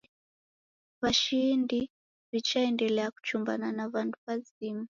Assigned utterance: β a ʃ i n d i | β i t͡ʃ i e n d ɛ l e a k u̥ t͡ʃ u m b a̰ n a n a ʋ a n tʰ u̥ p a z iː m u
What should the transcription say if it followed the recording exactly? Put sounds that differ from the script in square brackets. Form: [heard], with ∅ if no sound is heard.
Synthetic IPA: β a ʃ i n d i | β i t͡ʃ [a] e n d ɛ l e a k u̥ t͡ʃ u m b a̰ n a n a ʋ a n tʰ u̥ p a z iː m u